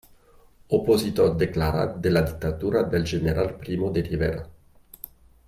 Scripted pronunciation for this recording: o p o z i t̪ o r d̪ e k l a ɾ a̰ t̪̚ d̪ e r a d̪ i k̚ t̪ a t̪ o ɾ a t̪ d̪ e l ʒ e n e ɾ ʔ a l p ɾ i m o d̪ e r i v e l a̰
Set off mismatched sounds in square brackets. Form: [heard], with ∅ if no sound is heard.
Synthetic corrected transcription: o p o z i t̪ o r d̪ e k l a ɾ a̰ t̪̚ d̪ e [l] a d̪ i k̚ t̪ a t̪ [u] ɾ a [∅] d̪ e l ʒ e n e ɾ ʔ a l p ɾ i m o d̪ e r i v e [ɾ] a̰

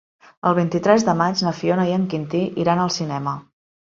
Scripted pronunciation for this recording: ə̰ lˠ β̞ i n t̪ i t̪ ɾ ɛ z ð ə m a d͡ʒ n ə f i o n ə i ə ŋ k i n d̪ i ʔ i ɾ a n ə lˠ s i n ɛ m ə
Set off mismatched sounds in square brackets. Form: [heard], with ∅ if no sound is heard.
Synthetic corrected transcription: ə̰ lˠ β̞ i n t̪ i t̪ ɾ ɛ z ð ə m a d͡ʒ n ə f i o n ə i ə ŋ k i n [t̪] i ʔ i ɾ a n ə lˠ s i n ɛ m ə

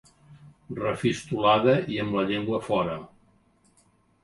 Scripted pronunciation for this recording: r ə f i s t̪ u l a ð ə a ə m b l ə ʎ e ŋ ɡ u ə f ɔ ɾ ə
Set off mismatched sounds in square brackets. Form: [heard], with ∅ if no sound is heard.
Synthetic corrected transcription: r ə f i s t̪ u l a ð ə [i] ə m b l ə ʎ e ŋ ɡ [w] ə f ɔ ɾ ə

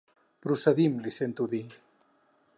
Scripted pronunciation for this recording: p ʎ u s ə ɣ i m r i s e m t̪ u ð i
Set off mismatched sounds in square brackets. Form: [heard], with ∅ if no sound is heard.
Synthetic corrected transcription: p [ɾ] u s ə [ð] i m [l] i s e [n] t̪ u ð i

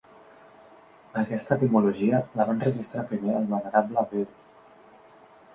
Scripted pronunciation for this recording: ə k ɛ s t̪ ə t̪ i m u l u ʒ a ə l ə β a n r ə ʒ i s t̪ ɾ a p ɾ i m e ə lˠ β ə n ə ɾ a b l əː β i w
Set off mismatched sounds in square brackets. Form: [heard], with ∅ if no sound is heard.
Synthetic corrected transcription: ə k ɛ s t̪ ə t̪ i m u l u ʒ [i] ə l ə β a n r ə ʒ i s t̪ ɾ a p ɾ i m e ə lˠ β ə n ə ɾ a b l [ə] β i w

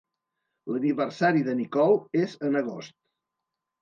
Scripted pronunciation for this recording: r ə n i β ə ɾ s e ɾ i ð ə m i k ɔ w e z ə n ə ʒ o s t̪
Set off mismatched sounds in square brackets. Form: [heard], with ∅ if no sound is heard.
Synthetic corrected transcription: [l] ə n i β ə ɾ s [a] ɾ i ð ə [n] i k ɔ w e z ə n ə [ɣ] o s t̪

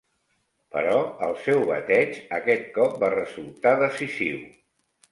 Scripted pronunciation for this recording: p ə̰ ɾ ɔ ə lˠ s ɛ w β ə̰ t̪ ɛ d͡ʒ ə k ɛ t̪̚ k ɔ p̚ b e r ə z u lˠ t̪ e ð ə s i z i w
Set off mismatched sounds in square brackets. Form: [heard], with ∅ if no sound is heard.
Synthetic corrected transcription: p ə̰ ɾ ɔ ə lˠ s ɛ w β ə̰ t̪ ɛ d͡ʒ ə k ɛ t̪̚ k ɔ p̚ b [a] r ə z u lˠ t̪ [a] ð ə s i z i w

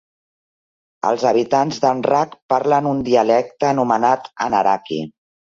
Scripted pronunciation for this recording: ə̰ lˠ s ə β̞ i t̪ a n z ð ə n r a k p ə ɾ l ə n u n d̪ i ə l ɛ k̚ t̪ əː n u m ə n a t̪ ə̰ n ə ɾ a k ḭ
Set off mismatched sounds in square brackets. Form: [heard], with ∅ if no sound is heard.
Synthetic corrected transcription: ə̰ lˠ [z] ə β̞ i t̪ a n z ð ə n r a k p [a] ɾ l ə n u n d̪ i ə l ɛ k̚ t̪ əː n u m ə n a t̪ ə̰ n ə ɾ a k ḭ

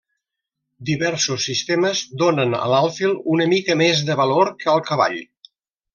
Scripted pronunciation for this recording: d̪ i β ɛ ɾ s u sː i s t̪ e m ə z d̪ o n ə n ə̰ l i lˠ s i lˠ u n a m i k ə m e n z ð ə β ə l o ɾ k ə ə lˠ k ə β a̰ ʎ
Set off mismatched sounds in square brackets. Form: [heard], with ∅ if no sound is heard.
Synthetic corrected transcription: d̪ i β ɛ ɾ s u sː i s t̪ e m ə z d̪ o n ə n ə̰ l [a] lˠ [f] i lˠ u n [ə] m i k ə m e [∅] z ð ə β ə l o ɾ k ə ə lˠ k ə β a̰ ʎ

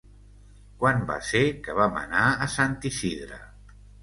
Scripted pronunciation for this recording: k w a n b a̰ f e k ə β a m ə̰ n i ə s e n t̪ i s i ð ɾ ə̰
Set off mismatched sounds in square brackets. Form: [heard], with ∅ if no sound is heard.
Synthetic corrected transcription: k w a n b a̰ [s] e k ə β a m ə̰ n [a] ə s [a] n t̪ i s i ð ɾ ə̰

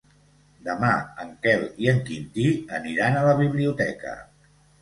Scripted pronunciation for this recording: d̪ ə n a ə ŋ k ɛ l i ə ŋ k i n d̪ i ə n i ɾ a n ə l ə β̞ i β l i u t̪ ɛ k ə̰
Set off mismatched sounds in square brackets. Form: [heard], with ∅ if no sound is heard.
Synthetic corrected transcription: d̪ ə [m] a ə ŋ k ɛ l i ə ŋ k i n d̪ i ə n i ɾ a n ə l ə β̞ i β l i u t̪ ɛ k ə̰

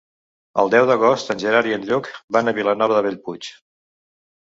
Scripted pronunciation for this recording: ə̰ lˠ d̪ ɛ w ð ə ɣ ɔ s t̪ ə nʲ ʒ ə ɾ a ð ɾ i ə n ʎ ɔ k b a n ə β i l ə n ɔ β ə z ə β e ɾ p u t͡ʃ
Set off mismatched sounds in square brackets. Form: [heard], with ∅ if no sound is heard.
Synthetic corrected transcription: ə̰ lˠ d̪ ɛ w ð ə ɣ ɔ s t̪ ə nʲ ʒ ə ɾ a [∅] ɾ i ə n ʎ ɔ k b a n ə β i l ə n ɔ β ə [ð] ə β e [ʎ] p u t͡ʃ

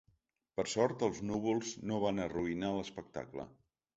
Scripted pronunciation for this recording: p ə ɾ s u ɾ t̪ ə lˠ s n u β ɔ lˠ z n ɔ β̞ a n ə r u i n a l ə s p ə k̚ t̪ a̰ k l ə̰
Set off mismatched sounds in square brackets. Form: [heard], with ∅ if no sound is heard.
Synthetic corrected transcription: p ə ɾ s [ɔ] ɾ t̪ ə lˠ [z] n u β [u] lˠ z n [o] β̞ a n ə r u i n a l ə s p ə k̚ t̪ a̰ k l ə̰

